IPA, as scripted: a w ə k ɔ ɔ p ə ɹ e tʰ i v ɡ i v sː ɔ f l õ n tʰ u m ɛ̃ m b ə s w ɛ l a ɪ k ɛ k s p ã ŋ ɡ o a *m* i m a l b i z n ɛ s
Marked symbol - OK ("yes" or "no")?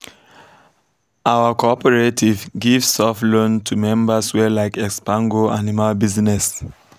no